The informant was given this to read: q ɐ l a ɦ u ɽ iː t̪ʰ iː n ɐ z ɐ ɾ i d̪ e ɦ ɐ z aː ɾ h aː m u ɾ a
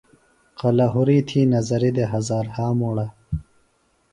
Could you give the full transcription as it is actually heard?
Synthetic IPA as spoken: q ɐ l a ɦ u ɾ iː t̪ʰ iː n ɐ z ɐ ɾ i d̪ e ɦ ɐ z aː ɾ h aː m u ɽ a